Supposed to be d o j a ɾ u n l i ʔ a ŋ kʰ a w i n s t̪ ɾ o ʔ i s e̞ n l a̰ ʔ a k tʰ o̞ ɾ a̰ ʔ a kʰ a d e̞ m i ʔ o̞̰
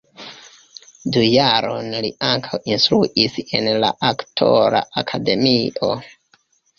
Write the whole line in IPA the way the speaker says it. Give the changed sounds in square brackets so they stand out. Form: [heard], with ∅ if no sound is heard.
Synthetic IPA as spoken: d [u] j a ɾ [o] n l i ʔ a ŋ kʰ a w i n s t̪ ɾ [u] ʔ i s e̞ n l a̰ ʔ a k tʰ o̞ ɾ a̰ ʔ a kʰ a d e̞ m i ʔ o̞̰